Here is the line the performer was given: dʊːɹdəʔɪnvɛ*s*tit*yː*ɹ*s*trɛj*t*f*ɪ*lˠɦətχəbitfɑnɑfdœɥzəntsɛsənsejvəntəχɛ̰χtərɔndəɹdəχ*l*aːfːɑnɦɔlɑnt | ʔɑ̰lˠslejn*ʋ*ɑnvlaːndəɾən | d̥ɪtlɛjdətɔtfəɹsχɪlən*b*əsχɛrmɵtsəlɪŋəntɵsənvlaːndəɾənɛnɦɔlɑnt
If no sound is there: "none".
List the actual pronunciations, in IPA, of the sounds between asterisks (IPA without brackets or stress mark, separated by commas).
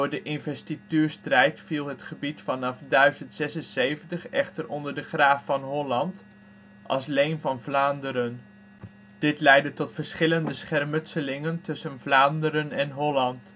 s, yː, s, t, i, r, v, d